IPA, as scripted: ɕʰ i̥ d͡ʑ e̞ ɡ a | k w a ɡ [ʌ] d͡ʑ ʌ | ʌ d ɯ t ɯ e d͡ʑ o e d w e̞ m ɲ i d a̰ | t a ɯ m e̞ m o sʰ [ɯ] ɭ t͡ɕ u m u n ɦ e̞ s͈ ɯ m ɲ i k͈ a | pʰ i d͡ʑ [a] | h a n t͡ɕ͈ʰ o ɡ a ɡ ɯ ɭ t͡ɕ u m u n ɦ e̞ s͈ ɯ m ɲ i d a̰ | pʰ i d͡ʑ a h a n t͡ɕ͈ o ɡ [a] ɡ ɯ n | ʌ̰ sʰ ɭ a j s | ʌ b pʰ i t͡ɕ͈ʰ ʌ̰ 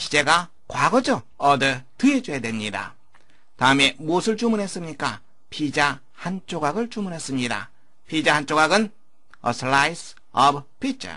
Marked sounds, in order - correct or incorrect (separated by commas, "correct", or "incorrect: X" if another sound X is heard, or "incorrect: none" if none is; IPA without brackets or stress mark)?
correct, correct, correct, correct